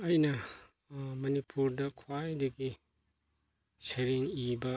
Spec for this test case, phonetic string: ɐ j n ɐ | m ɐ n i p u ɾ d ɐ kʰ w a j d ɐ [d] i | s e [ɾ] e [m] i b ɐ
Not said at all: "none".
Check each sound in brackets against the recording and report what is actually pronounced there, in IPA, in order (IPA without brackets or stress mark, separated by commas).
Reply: ɡ, ɾ, ŋ